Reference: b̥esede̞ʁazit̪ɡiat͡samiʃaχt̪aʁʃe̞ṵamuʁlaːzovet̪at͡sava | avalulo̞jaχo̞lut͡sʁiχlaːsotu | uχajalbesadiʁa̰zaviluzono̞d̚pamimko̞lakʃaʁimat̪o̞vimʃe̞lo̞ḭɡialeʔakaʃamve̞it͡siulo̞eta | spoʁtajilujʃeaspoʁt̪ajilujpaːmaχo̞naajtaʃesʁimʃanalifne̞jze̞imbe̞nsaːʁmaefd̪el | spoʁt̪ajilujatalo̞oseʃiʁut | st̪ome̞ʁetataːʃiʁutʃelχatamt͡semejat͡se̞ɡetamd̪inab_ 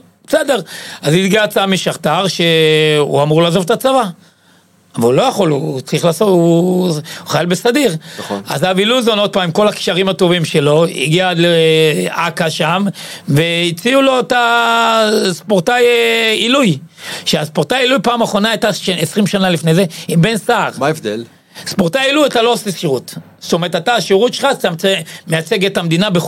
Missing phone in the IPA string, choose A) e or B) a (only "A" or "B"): A